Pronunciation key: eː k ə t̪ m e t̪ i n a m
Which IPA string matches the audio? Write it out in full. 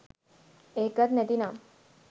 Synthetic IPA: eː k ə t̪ n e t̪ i n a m